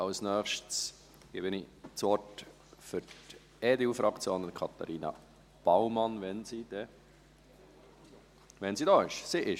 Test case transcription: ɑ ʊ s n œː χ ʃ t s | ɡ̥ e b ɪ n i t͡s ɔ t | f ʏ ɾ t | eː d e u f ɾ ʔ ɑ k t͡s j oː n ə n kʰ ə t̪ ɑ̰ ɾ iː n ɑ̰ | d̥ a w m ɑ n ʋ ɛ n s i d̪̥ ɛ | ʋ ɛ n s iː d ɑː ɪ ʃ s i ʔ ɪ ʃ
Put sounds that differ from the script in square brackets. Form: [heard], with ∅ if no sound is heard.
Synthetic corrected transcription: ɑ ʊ s n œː χ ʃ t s | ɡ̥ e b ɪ n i t͡s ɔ t | f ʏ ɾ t | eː d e u f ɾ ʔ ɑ k t͡s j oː n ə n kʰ [ɑ] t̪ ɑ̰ ɾ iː n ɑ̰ | [b̥] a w m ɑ n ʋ ɛ n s i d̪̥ ɛ | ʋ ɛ n s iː d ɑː ɪ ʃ s i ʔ ɪ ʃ

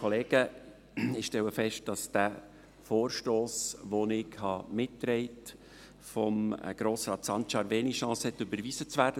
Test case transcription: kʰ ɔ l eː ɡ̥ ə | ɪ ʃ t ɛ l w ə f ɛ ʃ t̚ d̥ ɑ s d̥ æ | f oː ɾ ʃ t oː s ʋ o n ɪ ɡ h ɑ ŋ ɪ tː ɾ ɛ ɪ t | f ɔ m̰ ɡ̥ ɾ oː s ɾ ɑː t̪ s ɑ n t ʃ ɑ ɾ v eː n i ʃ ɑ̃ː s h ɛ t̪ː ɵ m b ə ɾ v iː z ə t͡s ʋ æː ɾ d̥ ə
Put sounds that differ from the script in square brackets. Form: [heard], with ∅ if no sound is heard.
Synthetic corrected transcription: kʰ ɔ l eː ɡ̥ ə | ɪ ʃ t ɛ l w ə f ɛ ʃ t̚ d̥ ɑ s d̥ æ | f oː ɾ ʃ t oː s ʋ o n ɪ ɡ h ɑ [m] ɪ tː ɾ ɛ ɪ t | f ɔ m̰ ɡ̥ ɾ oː s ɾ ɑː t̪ s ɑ n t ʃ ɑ ɾ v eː n i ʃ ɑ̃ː s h ɛ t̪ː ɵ [∅] b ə ɾ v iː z ə t͡s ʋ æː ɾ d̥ ə

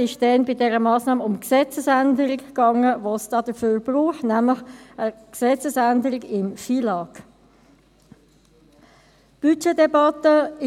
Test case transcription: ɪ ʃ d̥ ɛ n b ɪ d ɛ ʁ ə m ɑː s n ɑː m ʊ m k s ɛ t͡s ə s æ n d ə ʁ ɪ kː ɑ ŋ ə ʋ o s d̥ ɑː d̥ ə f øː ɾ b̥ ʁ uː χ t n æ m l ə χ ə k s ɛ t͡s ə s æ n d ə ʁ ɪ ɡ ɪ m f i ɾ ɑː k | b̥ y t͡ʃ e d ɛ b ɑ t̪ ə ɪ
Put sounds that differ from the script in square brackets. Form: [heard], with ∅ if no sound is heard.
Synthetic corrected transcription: ɪ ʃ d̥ ɛ n b ɪ d ɛ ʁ ə m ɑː s n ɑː m ʊ m k s ɛ t͡s ə s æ n d ə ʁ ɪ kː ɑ ŋ ə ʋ o s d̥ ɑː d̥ ə f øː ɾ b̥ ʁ uː χ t n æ m l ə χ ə k s ɛ t͡s ə s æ n d ə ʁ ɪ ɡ ɪ m f i [l] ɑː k | b̥ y t͡ʃ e d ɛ b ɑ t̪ ə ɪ

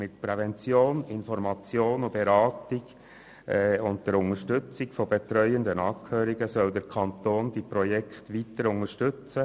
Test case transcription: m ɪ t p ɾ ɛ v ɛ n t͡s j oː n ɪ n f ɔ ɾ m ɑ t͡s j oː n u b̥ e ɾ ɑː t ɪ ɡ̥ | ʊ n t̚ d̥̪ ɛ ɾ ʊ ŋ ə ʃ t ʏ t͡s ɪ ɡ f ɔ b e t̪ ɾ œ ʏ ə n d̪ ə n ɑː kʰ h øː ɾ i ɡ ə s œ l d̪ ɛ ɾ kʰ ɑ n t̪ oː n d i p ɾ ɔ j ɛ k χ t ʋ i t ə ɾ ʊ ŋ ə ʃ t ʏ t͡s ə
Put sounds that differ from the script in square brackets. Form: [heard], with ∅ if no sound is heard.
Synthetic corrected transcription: m ɪ t p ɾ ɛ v ɛ n t͡s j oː n ɪ n f ɔ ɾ m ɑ t͡s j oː n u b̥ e ɾ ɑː t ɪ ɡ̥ | ʊ n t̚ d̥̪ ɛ ɾ ʊ ŋ ə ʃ t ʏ t͡s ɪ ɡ f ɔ b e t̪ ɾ œ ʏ ə n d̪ ə n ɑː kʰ h øː ɾ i ɡ ə s œ l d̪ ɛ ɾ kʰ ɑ n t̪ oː n d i p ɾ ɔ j ɛ k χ t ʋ i t ə ɾ ʊ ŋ ə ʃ t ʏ t͡s ə

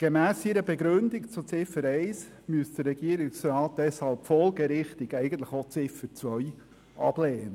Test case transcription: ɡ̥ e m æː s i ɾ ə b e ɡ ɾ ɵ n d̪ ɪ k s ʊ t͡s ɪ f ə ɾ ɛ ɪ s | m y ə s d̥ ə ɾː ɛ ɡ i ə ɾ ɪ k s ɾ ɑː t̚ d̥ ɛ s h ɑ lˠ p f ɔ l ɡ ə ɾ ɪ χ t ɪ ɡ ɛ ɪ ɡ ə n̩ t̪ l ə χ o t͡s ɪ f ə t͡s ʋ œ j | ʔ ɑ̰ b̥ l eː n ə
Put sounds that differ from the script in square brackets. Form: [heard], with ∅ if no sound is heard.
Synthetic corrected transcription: ɡ̥ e m æː s i ɾ ə b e ɡ ɾ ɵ n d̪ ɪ k [t͡s] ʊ t͡s ɪ f ə ɾ ɛ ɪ s | m y ə s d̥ ə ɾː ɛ ɡ i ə ɾ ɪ k s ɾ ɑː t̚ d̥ ɛ s h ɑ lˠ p f ɔ l ɡ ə ɾ ɪ χ t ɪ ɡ ɛ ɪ ɡ ə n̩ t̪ l ə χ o t͡s ɪ f ə t͡s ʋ œ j | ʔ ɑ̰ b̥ l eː n ə

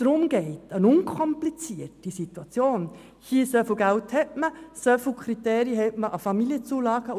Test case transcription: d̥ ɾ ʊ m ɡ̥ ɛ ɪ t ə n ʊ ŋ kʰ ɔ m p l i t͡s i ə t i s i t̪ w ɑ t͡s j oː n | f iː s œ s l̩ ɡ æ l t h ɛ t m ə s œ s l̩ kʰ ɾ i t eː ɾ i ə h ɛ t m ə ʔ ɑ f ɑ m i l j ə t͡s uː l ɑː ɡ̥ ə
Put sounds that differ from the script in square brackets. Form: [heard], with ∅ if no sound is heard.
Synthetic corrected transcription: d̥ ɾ ʊ m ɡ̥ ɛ ɪ t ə n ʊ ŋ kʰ ɔ m p l i t͡s i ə t i s i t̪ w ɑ t͡s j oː n | [h] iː s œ [f] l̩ ɡ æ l t h ɛ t m ə s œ [f] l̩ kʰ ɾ i t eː ɾ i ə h ɛ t m ə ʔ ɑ f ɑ m i l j ə t͡s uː l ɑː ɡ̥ ə

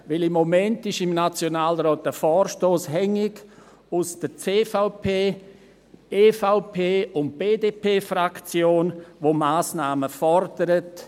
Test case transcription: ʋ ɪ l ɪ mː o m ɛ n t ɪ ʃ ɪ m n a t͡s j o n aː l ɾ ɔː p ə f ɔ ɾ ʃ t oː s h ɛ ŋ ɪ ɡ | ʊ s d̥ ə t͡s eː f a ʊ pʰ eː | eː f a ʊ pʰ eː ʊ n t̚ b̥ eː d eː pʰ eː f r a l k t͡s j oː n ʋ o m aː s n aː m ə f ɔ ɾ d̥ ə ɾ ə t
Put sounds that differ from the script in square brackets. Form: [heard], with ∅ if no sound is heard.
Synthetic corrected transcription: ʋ ɪ l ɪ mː o m ɛ n t ɪ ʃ ɪ m n a t͡s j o n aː l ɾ ɔː [t] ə f [ɔː] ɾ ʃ t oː s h ɛ ŋ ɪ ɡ | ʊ s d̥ ə t͡s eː f a ʊ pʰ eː | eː f a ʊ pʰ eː ʊ n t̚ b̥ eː d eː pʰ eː f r a [∅] k t͡s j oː n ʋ o m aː s n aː m ə f ɔ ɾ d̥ ə ɾ ə t

